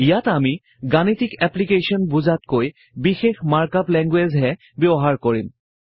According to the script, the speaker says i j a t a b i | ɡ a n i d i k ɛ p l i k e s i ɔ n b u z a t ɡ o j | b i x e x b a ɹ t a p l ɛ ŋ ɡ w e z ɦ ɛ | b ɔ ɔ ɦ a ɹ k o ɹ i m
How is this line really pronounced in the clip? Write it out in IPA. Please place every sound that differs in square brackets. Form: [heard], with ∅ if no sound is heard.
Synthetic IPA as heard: i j a t a [m] i | ɡ a n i [t] i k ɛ p l i k e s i ɔ n b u z a t [k] o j | b i x e x [m] a ɹ [k] a p l ɛ ŋ ɡ w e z ɦ ɛ | b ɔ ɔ ɦ a ɹ k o ɹ i m